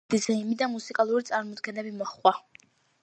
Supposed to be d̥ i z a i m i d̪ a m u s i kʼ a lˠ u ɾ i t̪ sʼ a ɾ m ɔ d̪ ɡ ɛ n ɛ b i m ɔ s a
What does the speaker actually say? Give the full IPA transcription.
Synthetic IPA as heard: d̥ i z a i m i d̪ a m u s i kʼ a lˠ u ɾ i t̪ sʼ a ɾ m ɔ d̪ ɡ ɛ n ɛ b i m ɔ χ a